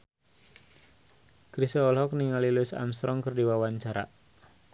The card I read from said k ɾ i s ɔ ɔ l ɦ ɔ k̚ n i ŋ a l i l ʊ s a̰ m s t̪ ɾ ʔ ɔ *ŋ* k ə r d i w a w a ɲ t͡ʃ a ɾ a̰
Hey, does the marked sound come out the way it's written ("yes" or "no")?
yes